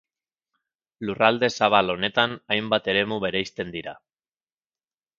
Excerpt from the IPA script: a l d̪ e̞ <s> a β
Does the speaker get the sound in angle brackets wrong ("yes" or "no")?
no